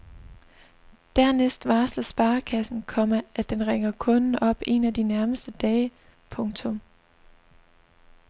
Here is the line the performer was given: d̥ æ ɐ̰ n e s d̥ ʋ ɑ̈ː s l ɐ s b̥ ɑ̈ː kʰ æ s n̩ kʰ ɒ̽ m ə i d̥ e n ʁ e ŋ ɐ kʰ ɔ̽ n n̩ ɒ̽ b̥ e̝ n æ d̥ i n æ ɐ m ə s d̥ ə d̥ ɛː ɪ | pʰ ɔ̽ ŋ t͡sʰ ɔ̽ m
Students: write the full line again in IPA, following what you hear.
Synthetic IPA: d̥ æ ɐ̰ n e s d̥ ʋ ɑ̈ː s l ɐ s b̥ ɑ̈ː kʰ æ s n̩ kʰ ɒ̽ m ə æ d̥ e n ʁ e ŋ ɐ kʰ ɔ̽ n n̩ ɒ̽ b̥ e̝ n æ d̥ i n æ ɐ m ə s d̥ ə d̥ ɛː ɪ | pʰ ɔ̽ ŋ t͡sʰ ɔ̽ m